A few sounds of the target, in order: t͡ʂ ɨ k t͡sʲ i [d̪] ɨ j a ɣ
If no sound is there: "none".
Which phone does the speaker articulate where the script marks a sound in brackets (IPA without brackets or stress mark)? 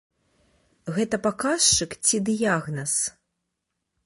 d̪